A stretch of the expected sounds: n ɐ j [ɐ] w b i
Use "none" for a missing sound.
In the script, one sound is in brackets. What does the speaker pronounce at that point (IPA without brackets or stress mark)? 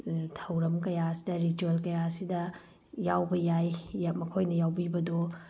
a